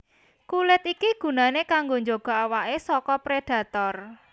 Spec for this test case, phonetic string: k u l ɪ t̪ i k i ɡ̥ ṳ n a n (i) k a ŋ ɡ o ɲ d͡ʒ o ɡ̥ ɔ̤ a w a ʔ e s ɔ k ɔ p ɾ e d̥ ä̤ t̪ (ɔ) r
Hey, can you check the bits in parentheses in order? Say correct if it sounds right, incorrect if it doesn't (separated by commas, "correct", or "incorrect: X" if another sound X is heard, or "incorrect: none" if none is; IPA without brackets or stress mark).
incorrect: e, correct